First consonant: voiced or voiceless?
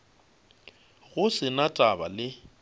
voiced